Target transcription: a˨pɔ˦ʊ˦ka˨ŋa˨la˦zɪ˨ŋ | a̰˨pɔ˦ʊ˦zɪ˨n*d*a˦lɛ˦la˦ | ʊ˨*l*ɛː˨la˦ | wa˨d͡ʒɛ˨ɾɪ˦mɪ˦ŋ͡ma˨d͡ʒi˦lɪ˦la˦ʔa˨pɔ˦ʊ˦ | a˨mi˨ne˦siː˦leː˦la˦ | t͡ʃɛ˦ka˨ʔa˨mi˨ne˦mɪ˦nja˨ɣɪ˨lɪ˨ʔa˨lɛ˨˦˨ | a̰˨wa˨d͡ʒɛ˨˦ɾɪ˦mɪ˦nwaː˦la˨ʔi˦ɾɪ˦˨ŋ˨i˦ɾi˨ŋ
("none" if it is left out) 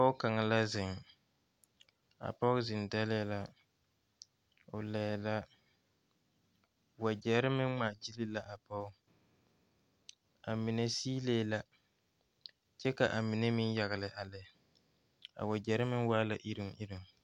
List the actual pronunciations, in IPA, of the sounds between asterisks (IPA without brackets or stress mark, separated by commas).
d, l